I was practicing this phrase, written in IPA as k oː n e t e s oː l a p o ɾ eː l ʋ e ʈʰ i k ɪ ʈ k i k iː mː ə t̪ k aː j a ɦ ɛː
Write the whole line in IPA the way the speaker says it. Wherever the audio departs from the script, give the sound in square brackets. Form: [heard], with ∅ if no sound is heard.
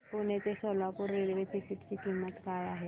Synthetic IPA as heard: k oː n e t e s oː l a [k] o ɾ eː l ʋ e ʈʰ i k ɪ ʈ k i k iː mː ə t̪ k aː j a ɦ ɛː